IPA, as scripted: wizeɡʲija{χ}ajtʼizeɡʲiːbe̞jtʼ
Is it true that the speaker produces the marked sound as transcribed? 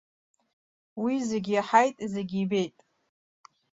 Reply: no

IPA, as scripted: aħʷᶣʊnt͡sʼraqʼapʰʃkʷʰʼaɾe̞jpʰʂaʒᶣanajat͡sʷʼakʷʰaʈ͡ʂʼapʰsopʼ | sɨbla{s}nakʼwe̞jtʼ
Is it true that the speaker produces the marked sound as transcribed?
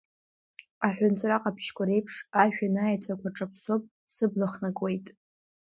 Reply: no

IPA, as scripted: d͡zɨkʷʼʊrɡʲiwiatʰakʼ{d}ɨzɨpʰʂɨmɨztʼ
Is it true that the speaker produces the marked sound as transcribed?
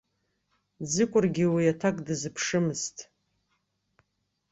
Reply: yes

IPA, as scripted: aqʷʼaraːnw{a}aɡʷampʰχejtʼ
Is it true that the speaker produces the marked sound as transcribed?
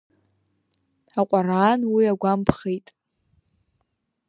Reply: no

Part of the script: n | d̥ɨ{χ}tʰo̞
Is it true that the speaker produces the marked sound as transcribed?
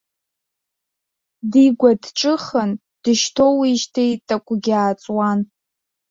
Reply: no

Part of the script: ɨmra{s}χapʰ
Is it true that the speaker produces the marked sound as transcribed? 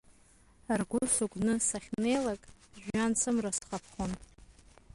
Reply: yes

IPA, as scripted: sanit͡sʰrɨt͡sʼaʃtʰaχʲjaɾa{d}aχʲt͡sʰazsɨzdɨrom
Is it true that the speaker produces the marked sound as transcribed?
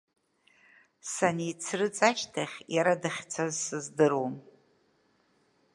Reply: yes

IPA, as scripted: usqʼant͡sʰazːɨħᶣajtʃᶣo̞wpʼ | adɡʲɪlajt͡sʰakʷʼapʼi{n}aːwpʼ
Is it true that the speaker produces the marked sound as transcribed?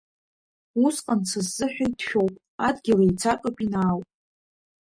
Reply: yes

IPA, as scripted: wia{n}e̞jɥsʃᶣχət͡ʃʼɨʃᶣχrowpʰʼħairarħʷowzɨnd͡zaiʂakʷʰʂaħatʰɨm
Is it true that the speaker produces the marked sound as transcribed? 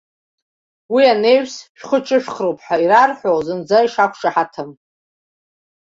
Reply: yes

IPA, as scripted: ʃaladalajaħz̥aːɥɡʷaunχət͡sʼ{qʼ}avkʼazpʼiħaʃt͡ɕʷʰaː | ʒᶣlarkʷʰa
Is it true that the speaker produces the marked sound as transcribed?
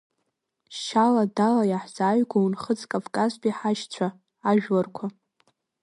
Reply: no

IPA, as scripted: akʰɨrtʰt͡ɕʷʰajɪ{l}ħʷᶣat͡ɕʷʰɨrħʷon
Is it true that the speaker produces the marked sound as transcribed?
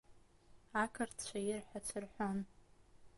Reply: no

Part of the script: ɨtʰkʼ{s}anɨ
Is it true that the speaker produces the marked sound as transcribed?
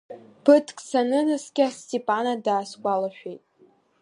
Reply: yes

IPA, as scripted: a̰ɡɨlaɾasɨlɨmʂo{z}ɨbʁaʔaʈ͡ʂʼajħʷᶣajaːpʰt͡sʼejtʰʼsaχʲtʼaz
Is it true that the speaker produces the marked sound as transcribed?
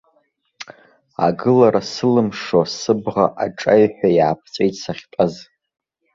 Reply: no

